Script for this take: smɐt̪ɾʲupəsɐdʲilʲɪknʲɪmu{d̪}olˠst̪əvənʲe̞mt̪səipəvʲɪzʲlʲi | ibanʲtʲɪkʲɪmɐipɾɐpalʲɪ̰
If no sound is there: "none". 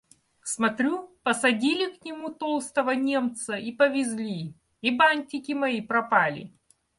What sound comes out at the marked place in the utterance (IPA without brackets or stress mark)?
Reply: t̪